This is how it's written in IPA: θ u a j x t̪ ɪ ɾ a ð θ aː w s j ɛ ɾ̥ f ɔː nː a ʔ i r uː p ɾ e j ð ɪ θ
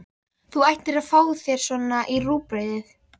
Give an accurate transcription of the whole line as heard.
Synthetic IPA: θ u a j h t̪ ɪ ɾ a ð f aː w θ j ɛ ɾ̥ s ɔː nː a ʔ i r uː p ɾ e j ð ɪ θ